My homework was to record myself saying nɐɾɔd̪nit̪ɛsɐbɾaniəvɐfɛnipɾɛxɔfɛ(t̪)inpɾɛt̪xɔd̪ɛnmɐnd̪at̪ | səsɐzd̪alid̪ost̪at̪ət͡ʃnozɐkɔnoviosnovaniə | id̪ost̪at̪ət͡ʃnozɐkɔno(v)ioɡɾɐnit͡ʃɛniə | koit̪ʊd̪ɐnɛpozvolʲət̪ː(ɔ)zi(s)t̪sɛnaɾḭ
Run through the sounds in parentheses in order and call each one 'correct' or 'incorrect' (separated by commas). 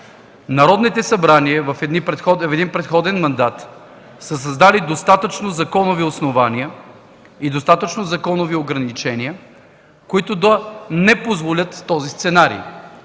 incorrect, correct, correct, correct